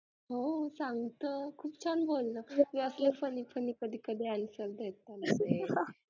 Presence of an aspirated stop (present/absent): present